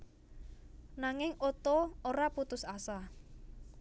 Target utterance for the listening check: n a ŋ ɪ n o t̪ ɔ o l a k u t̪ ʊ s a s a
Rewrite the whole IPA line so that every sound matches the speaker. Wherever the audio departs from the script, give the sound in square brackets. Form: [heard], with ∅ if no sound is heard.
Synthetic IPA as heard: n a ŋ ɪ [ŋ] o t̪ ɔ o [ɾ] a [p] u t̪ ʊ s a s a